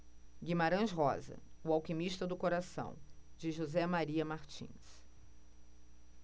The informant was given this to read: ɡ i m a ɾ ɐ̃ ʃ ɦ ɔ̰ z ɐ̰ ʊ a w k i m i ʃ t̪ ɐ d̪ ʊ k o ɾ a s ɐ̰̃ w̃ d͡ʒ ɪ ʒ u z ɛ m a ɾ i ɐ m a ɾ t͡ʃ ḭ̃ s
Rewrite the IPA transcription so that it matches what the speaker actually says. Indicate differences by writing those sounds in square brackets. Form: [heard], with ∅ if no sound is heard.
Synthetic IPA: ɡ i m a ɾ ɐ̃ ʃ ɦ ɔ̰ z ɐ̰ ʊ a w k i m i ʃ t̪ ɐ d̪ ʊ k o ɾ a s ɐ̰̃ w̃ d͡ʒ ɪ ʒ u z ɛ m a ɾ i ɐ m a ɾ t͡ʃ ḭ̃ s

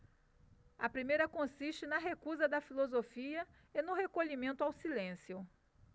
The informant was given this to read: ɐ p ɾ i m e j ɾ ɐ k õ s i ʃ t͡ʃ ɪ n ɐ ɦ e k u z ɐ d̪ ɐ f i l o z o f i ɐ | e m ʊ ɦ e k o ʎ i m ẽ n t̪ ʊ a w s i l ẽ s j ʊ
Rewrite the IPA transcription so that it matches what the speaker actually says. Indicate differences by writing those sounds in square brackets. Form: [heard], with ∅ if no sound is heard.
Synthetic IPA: ɐ p ɾ i m e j ɾ ɐ k õ s i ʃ t͡ʃ ɪ n ɐ ɦ e k u z ɐ d̪ ɐ f i l o z o f i ɐ | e [n] ʊ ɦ e k o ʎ i m ẽ n t̪ ʊ a w s i l ẽ s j ʊ

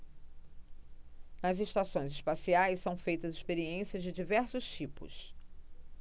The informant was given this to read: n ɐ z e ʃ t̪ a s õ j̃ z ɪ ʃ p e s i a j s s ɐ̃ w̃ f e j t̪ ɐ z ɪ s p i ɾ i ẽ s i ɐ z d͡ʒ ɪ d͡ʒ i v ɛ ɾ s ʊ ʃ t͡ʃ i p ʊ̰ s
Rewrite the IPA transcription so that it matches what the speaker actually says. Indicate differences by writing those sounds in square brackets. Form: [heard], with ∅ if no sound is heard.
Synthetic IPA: n ɐ z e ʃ t̪ a s õ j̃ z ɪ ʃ p [a] s i a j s s ɐ̃ w̃ f e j t̪ ɐ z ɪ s p [e] ɾ i ẽ s i ɐ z d͡ʒ ɪ d͡ʒ i v ɛ ɾ s ʊ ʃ t͡ʃ i p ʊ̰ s

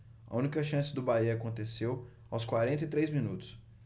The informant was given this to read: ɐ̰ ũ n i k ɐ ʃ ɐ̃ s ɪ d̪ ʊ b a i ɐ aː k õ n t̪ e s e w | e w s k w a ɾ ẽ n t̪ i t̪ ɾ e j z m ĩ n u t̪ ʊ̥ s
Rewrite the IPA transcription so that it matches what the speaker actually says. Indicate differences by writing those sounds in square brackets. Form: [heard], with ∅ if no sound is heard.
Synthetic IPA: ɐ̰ ũ n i k ɐ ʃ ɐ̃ s ɪ d̪ ʊ b a i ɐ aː k õ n t̪ e s e w | [a] w s k w a ɾ ẽ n t̪ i t̪ ɾ e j z m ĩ n u t̪ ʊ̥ s

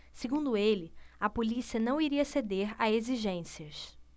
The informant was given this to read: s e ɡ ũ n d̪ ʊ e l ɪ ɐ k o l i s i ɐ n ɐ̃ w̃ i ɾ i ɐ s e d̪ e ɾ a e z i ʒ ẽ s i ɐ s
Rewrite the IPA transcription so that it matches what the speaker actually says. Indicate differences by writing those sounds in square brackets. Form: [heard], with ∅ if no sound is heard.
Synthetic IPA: s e ɡ ũ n d̪ ʊ e l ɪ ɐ [p] o l i s i ɐ n ɐ̃ w̃ i ɾ i ɐ s e d̪ e ɾ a e z i ʒ ẽ s i ɐ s

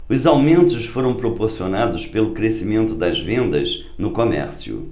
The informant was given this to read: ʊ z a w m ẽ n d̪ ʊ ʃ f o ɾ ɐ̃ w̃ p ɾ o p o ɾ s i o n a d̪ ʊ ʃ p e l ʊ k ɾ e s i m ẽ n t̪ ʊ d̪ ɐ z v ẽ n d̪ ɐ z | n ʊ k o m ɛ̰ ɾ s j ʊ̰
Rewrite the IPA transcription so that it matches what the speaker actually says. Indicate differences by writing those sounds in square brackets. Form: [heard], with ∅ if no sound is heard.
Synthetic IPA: ʊ z a w m ẽ n [t̪] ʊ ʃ f o ɾ ɐ̃ w̃ p ɾ o p o ɾ s i o n a d̪ ʊ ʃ p e l ʊ k ɾ e s i m ẽ n t̪ ʊ d̪ ɐ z v ẽ n d̪ ɐ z | n ʊ k o m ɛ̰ ɾ s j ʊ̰

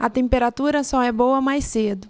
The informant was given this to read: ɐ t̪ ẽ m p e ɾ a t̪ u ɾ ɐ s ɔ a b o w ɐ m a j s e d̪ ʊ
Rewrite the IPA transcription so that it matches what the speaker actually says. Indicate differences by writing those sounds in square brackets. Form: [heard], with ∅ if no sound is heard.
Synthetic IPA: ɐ t̪ ẽ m p e ɾ a t̪ u ɾ ɐ s ɔ [ɛ] b o w ɐ m a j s e d̪ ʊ

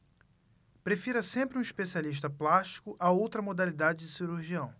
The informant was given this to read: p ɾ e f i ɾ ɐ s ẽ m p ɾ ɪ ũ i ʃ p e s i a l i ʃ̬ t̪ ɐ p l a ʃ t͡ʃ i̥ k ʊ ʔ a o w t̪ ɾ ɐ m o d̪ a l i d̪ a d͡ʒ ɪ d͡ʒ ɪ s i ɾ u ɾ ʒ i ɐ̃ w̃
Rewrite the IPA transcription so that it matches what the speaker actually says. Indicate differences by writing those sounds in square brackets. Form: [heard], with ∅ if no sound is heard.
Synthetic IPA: p ɾ e f i ɾ ɐ s ẽ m p ɾ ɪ ũ i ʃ p e s i a l i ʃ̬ t̪ ɐ p l a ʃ t͡ʃ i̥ k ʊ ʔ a o w t̪ ɾ ɐ m o d̪ a l i d̪ a d͡ʒ ɪ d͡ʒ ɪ s i ɾ u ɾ ʒ i ɐ̃ w̃

